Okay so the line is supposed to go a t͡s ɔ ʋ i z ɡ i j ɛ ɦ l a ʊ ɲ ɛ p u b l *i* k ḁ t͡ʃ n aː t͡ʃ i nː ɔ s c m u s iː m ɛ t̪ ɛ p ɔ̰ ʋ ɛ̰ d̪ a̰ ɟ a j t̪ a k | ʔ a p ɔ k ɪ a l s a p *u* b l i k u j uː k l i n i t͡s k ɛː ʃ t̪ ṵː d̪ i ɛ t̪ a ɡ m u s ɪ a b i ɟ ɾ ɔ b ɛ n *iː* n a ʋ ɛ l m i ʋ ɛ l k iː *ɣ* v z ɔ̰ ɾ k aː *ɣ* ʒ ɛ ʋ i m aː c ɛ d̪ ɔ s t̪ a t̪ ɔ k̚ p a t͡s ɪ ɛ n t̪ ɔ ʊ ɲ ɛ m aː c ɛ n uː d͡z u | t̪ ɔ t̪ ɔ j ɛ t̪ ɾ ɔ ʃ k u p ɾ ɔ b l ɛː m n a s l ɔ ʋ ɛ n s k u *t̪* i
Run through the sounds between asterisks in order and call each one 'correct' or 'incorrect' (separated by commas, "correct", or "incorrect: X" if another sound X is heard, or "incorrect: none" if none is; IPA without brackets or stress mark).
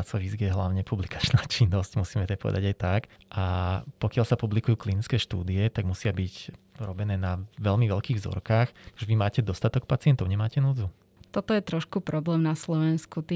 correct, correct, incorrect: ɛː, correct, incorrect: x, correct